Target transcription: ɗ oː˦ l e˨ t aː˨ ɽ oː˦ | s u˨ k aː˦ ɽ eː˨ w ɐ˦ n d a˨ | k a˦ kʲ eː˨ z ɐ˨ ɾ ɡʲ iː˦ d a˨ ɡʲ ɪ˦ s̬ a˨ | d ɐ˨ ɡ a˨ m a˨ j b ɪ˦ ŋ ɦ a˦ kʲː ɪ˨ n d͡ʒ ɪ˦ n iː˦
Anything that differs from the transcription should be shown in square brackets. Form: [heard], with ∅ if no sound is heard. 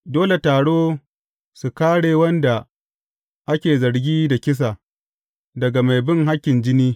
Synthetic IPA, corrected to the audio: [d] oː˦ l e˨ t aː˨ ɽ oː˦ | s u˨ k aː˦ ɽ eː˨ w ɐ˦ n d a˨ | [ʔ] a˦ kʲ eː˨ z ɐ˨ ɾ ɡʲ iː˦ d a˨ [kʲ] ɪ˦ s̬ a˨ | d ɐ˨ ɡ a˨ m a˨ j b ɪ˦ ŋ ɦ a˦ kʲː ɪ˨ n d͡ʒ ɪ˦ n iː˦

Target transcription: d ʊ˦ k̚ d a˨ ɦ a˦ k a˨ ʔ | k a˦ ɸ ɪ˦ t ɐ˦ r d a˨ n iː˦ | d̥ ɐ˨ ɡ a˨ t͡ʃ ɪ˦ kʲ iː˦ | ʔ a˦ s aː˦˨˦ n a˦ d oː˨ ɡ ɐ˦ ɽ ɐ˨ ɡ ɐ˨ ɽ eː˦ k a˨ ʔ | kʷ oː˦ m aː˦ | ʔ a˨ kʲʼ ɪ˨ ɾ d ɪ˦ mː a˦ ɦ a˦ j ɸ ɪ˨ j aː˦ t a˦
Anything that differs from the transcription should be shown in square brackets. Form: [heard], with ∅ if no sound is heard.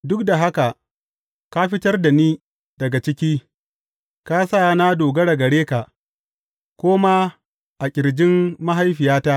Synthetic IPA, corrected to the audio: d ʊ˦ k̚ d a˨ ɦ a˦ k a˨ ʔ | k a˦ ɸ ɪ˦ t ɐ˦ r d a˨ n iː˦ | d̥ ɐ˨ ɡ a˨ t͡ʃ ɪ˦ kʲ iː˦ | [k] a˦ s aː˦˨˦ n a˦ d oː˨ ɡ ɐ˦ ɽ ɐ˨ ɡ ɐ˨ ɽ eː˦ k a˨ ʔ | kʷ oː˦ m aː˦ | ʔ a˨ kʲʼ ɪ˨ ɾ [d͡ʒ] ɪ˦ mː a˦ ɦ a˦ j ɸ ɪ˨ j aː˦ t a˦

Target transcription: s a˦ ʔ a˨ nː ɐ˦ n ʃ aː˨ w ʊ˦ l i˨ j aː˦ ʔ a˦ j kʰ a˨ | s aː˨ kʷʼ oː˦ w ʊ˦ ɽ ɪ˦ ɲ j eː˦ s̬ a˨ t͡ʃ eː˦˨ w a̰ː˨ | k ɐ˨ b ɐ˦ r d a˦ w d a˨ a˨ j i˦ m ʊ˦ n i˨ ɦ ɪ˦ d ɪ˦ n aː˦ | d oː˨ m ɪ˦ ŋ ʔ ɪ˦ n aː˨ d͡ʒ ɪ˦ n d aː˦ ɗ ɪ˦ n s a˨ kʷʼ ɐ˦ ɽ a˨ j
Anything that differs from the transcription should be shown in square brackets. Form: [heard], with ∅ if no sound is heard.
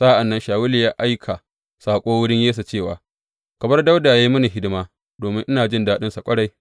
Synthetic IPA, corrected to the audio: s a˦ ʔ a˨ nː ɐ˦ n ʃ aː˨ w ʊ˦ l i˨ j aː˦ ʔ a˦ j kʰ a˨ | s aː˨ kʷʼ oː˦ w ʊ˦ ɽ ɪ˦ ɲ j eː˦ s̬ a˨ t͡ʃ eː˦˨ w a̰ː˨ | k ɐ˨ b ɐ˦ r d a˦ w d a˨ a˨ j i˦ m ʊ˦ n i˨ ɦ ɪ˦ d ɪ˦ [m] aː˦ | d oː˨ m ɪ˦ ŋ ʔ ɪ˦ n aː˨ d͡ʒ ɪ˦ n d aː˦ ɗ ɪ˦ n s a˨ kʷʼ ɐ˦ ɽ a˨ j

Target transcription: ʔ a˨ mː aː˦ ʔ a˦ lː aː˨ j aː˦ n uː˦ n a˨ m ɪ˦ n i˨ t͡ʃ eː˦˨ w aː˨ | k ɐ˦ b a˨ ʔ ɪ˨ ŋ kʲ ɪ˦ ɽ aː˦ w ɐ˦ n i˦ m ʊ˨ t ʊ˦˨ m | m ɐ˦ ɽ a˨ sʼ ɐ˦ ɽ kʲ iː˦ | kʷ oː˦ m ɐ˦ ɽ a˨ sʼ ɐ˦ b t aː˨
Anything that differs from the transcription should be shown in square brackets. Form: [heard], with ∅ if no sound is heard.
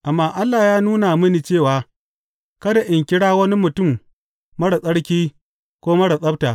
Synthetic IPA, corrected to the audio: ʔ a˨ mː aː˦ ʔ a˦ lː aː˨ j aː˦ n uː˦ n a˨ m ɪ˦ n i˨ t͡ʃ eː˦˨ w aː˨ | k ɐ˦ [d] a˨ ʔ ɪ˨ ŋ kʲ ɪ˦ ɽ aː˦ w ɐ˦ n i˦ m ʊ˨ t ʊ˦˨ m | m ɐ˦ ɽ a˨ sʼ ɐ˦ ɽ kʲ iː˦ | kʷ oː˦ m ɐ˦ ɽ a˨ sʼ ɐ˦ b t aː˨

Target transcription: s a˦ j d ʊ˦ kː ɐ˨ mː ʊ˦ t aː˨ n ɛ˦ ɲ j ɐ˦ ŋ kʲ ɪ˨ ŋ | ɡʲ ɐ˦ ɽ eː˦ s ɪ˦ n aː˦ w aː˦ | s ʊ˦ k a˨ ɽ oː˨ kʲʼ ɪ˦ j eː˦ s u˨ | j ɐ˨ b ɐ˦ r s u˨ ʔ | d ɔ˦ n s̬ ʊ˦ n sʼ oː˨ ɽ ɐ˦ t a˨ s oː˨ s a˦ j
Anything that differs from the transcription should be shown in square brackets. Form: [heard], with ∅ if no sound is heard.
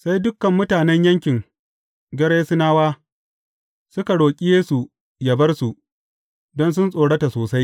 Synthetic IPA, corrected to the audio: s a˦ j d ʊ˦ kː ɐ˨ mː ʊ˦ t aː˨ n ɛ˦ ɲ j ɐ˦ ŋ kʲ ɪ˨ ŋ | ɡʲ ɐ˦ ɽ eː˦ s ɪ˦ n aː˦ w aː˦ | s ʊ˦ k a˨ ɽ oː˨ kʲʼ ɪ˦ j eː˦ s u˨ | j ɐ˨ b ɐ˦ r s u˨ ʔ | d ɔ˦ n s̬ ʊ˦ n sʼ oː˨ ɽ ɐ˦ t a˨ s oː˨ s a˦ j

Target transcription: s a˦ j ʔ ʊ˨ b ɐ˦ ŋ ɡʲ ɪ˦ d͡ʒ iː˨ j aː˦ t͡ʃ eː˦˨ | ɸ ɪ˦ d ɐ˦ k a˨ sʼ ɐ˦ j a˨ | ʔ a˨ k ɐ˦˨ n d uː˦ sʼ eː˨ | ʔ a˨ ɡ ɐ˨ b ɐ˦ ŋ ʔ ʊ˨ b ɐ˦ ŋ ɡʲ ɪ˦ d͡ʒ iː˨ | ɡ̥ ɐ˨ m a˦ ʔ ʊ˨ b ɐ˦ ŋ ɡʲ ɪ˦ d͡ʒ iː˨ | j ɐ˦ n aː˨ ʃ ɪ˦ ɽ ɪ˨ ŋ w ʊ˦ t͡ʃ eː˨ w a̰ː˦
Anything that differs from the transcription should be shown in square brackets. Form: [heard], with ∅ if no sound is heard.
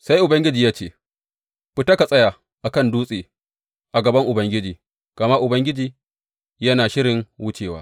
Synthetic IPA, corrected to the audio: s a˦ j ʔ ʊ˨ b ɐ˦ ŋ ɡʲ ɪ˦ d͡ʒ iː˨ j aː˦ t͡ʃ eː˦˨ | ɸ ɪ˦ [t] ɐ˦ k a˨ sʼ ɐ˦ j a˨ | ʔ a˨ k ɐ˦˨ n d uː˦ sʼ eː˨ | ʔ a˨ ɡ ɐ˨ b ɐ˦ ŋ ʔ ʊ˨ b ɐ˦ ŋ ɡʲ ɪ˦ d͡ʒ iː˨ | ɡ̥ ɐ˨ m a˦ ʔ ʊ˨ b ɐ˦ ŋ ɡʲ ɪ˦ d͡ʒ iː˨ | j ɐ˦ n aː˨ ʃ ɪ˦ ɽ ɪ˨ ŋ w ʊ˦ t͡ʃ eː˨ w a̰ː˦

